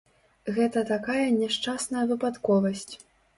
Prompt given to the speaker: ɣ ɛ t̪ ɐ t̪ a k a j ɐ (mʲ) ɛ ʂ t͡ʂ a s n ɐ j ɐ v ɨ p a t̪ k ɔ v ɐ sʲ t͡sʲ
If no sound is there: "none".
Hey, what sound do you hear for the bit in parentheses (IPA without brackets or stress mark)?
nʲ